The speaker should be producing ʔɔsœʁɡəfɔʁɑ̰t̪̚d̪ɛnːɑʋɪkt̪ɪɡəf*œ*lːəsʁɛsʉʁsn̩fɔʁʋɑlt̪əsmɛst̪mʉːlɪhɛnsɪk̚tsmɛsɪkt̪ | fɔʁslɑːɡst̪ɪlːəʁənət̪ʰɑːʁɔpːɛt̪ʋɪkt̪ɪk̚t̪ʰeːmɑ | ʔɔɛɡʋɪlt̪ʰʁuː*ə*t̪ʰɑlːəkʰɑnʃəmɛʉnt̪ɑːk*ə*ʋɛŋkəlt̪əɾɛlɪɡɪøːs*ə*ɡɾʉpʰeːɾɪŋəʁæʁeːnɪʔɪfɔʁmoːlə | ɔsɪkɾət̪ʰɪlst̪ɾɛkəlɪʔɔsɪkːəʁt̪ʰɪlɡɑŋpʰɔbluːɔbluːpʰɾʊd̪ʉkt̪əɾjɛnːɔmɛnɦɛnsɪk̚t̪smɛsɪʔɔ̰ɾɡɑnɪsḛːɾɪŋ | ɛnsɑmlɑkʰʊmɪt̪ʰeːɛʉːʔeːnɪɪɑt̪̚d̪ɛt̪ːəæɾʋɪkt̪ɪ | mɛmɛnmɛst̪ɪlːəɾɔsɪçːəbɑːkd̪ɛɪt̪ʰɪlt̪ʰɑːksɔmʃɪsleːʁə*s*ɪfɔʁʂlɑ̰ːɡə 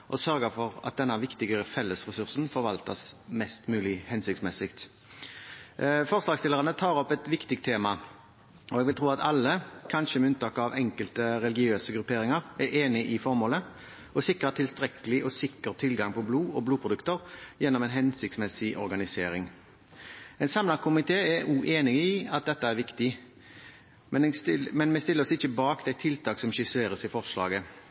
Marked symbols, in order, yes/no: no, no, no, yes, yes

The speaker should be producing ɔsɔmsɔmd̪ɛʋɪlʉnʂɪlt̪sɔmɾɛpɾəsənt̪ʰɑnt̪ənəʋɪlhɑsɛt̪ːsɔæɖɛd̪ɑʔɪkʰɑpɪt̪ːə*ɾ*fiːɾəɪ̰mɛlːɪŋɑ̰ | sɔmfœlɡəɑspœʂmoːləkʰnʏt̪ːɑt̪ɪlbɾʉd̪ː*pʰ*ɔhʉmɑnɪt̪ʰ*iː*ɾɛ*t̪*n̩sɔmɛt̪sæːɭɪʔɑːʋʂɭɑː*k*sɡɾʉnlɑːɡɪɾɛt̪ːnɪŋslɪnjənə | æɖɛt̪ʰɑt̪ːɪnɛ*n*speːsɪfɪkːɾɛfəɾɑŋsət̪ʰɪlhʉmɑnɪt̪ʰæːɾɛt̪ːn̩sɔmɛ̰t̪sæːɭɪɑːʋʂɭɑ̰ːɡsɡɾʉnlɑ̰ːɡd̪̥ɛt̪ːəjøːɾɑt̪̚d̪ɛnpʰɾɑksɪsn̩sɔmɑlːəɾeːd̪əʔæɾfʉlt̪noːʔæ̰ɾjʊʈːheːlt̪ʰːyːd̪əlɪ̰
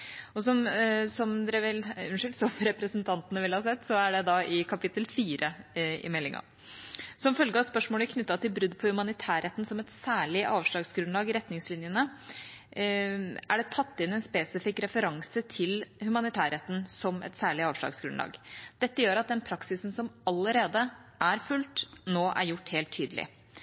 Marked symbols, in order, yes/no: no, yes, no, yes, no, yes

